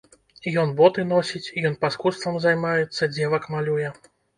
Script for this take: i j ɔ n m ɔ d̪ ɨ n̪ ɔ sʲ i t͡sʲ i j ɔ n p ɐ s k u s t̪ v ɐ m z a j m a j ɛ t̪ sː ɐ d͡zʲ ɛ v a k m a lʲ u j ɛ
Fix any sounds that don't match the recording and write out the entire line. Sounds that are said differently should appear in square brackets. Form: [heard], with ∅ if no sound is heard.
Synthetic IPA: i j ɔ n [b] ɔ [t̪] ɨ n̪ ɔ sʲ i t͡sʲ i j ɔ n p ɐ s k u s t̪ v ɐ m z a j m a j ɛ t̪ sː ɐ d͡zʲ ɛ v [ɐ] k m a lʲ u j ɛ